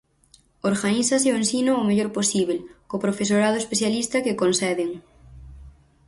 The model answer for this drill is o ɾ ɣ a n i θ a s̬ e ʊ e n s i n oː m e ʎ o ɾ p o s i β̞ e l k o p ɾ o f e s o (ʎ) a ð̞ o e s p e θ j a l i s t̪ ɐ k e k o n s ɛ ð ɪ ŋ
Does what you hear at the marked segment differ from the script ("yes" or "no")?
yes